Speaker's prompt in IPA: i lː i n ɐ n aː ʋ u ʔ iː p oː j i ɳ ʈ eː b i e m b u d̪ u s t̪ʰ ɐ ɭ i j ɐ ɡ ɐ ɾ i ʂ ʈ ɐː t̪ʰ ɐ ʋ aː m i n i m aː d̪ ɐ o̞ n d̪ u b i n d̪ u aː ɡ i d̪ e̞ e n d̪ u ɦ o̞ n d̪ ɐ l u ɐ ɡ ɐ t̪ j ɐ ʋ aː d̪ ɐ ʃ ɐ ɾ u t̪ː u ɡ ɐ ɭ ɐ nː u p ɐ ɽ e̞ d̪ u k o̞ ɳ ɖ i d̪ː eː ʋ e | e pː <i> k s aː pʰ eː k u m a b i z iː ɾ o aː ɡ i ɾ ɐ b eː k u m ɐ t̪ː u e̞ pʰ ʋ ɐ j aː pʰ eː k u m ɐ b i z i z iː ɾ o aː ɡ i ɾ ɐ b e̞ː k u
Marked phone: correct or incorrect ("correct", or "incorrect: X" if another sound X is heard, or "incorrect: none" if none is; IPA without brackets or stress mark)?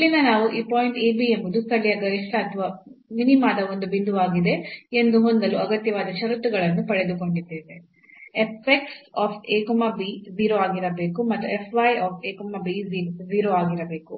incorrect: e